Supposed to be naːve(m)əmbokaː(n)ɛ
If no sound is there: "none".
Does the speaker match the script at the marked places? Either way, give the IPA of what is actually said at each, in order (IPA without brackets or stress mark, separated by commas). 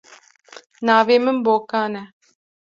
m, n